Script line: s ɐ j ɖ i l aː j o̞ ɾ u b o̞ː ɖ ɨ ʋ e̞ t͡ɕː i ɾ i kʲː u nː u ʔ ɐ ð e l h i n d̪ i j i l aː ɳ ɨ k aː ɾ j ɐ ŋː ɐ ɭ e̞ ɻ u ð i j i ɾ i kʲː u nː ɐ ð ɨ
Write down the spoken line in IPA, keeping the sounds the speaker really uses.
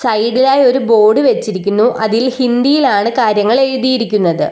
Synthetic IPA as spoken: s ɐ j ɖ i l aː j o̞ ɾ u b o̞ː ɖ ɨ ʋ e̞ t͡ɕː i ɾ i kʲː u nː u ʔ ɐ ð i l h i n d̪ i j i l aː ɳ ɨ k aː ɾ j ɐ ŋː ɐ ɭ e̞ ɻ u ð i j i ɾ i kʲː u nː ɐ ð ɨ